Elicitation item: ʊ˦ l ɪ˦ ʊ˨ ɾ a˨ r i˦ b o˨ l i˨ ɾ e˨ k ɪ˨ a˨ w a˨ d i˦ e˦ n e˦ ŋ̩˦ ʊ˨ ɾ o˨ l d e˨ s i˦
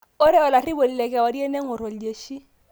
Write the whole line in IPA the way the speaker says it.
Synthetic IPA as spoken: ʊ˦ ɾ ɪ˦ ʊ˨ l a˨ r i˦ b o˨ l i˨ l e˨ k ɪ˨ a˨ w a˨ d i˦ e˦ n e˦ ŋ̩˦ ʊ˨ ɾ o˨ l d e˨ ʃ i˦